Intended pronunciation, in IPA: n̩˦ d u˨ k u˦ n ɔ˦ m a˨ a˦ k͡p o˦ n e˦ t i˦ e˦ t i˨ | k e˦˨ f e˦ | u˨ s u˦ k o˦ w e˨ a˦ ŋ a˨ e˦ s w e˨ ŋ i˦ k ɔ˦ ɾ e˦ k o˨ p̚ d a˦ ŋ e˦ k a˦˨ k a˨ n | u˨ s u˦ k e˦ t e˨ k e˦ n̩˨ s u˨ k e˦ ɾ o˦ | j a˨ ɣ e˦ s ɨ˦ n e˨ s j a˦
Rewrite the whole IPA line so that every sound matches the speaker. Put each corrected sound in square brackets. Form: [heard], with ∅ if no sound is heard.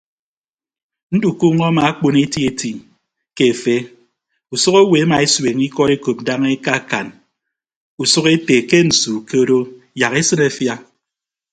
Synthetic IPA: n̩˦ d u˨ k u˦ [ŋ] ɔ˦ m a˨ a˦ k͡p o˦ n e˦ t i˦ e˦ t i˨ | k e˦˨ f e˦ | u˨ s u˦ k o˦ w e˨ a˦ [m] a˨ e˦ s w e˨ ŋ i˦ k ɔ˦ ɾ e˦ k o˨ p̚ d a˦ ŋ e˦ k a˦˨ k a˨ n | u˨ s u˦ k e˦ t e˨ k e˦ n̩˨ s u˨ k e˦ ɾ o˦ | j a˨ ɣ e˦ s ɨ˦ n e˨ [f] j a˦

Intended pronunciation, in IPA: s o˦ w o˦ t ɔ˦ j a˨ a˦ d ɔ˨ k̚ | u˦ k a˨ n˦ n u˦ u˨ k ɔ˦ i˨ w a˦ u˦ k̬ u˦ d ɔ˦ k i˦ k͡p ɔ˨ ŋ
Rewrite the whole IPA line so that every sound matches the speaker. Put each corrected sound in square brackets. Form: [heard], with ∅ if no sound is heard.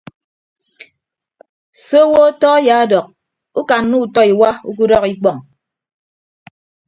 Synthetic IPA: s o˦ w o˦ t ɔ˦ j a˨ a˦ d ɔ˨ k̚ | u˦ k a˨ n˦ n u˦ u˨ [t] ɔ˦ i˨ w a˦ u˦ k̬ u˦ d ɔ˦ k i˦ k͡p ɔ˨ ŋ

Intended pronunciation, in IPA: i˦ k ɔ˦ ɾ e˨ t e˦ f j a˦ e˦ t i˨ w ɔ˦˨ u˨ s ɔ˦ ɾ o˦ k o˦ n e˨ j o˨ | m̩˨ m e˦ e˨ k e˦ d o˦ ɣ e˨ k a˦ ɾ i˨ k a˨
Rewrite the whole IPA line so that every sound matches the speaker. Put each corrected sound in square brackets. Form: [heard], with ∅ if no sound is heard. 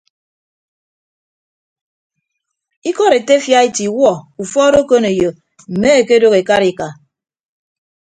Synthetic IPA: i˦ k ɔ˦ ɾ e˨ t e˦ f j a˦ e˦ t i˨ w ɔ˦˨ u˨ [f] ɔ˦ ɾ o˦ k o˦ n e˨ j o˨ | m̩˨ m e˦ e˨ k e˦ d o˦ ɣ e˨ k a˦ ɾ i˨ k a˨

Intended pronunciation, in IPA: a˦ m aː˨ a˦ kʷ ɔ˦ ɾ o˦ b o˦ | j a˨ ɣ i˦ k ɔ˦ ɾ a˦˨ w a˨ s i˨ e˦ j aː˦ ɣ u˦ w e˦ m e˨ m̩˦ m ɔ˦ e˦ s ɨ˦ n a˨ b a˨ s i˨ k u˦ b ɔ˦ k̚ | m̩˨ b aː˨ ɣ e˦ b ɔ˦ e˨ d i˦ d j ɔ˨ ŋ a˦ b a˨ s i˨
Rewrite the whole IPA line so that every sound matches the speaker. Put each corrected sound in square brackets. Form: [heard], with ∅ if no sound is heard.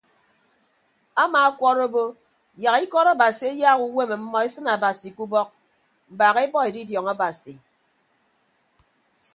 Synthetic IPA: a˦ m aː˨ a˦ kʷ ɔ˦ ɾ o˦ b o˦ | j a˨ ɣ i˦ k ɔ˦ ɾ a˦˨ [b] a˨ s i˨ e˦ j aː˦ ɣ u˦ w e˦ m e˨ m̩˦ m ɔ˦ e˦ s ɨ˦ n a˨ b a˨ s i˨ k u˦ b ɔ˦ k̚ | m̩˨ b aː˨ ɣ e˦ b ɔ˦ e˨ d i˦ d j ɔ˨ ŋ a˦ b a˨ s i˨

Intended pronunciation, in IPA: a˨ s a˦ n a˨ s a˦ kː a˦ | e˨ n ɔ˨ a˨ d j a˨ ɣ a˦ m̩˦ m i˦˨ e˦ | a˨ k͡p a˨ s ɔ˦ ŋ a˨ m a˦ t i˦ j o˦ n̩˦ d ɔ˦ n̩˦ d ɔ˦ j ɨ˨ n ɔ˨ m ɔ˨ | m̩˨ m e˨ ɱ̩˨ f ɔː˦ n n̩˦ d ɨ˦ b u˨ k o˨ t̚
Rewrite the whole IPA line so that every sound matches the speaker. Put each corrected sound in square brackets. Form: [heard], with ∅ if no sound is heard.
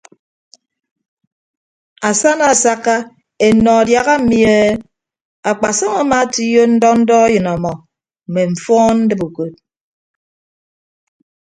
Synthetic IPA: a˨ s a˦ n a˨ s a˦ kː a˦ | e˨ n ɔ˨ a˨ d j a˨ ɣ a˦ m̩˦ m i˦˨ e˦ | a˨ k͡p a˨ s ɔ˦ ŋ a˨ m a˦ t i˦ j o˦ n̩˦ d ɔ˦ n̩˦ d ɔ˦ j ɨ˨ n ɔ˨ m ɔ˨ | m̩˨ m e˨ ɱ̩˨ f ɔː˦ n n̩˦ d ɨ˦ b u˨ k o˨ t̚

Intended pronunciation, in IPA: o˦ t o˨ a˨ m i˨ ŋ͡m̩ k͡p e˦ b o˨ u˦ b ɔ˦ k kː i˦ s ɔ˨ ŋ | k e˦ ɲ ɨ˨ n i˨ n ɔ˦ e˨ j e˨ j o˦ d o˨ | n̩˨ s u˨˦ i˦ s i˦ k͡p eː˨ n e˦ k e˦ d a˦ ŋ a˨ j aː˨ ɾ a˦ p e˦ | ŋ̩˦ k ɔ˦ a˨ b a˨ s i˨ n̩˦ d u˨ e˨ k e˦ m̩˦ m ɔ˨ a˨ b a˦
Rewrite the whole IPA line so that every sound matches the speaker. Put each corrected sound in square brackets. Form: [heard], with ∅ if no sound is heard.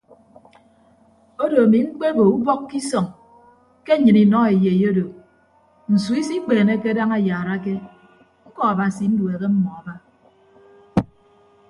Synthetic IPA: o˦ [d] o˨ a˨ m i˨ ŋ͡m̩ k͡p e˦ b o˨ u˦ b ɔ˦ k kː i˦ s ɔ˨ ŋ | k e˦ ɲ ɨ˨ n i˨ n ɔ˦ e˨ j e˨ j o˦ d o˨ | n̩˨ s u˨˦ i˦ s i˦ k͡p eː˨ n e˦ k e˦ d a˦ ŋ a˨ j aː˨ ɾ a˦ [k] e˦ | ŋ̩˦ k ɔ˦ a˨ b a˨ s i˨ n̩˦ d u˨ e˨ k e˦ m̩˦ m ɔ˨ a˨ b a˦

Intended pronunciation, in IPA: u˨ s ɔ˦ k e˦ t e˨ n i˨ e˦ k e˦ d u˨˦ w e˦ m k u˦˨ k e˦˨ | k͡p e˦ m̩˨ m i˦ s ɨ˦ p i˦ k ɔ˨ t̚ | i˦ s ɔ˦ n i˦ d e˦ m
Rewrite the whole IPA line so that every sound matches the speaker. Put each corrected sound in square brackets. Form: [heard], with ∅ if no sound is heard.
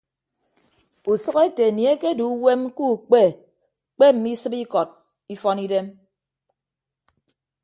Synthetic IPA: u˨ s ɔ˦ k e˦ t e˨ n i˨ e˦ k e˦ d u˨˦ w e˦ m k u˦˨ [k͡p] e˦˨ | k͡p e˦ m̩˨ m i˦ s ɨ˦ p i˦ k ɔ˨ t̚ | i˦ [f] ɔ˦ n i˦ d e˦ m

